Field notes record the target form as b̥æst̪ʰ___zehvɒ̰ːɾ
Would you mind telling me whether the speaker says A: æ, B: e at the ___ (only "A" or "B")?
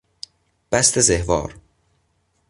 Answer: B